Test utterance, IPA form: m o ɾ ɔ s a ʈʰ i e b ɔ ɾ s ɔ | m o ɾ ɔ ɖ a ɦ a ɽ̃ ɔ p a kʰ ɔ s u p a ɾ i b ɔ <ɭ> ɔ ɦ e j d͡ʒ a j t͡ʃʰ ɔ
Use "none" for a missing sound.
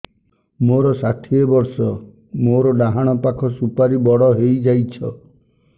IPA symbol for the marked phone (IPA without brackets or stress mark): ɽ